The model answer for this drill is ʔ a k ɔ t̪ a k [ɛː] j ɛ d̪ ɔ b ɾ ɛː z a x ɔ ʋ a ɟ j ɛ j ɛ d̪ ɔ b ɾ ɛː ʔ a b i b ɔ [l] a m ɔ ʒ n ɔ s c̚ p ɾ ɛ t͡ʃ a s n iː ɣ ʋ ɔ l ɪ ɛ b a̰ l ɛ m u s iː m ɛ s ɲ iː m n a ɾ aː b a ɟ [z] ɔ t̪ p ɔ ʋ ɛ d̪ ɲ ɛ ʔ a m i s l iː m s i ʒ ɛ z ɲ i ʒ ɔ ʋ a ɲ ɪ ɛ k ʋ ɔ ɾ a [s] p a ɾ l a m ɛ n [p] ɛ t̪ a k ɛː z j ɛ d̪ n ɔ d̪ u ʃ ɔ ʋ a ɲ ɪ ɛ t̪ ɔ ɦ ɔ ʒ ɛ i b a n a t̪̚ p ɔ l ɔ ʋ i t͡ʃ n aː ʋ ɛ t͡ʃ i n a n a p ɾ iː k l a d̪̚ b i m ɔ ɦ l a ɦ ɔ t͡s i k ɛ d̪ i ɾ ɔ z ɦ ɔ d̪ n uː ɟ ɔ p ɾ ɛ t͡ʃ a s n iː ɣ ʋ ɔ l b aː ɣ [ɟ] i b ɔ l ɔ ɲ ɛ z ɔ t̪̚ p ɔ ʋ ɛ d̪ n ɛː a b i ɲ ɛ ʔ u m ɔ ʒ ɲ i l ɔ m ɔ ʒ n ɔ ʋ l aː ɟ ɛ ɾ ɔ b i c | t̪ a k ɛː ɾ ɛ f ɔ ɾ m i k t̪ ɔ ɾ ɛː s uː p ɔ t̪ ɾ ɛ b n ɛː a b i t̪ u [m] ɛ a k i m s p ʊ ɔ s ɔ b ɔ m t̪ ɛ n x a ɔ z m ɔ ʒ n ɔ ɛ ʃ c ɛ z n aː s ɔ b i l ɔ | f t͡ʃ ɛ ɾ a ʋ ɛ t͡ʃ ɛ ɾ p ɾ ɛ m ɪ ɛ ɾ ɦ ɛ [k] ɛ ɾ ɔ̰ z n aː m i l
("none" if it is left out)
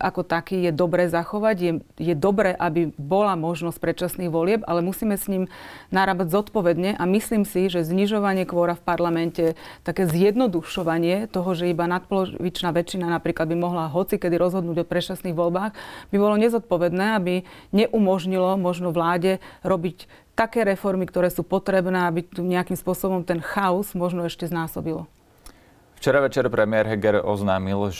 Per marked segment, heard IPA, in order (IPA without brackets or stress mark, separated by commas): iː, l, z, f, c, b, ɲ, ɡ